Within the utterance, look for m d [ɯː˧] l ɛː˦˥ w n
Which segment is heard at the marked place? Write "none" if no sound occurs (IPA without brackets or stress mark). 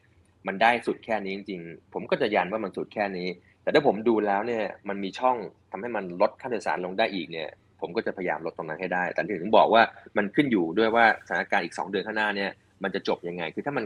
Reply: uː˧